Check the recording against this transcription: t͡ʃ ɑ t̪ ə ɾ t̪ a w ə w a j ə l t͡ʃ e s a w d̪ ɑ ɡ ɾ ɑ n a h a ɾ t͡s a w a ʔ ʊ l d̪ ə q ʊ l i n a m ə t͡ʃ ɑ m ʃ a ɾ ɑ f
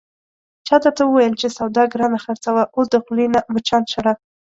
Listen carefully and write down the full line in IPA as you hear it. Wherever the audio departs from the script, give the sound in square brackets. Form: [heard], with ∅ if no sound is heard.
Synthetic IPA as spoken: t͡ʃ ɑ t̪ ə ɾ t̪ a w ə w a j ə l t͡ʃ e s a w d̪ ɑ ɡ ɾ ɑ n a [x] a ɾ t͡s a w a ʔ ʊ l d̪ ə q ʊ l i n a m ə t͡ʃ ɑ [n] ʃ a ɾ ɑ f